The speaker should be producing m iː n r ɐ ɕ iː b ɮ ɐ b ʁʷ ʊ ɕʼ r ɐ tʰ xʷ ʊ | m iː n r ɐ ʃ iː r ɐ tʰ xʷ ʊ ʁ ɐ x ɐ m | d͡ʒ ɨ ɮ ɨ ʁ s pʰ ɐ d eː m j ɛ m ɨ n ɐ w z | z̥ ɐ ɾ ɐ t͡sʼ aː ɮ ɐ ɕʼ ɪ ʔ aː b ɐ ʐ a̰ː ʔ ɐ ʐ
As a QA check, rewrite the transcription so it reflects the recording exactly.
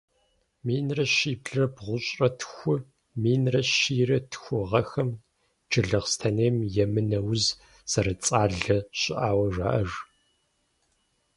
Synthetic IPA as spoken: m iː n r ɐ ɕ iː b ɮ ɐ b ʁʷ ʊ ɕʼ r ɐ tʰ xʷ ʊ | m iː n r ɐ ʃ iː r ɐ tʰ xʷ ʊ ʁ ɐ x ɐ m | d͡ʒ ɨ ɮ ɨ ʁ s tʰ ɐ n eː m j ɛ m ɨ n ɐ w z | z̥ ɐ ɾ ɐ t͡sʼ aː ɮ ɐ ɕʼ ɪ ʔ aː w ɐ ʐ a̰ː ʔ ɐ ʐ